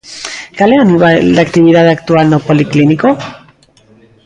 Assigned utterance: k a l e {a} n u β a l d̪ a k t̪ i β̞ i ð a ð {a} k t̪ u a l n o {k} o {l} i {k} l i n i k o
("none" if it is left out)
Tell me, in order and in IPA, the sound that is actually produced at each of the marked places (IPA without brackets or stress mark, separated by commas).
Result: a, a, p, l, k